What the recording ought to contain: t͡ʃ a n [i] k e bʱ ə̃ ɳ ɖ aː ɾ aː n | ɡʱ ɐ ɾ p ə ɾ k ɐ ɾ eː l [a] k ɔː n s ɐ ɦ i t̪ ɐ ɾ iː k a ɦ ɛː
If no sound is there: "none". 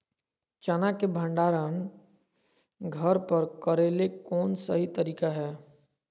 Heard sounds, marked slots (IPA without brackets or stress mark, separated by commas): a, e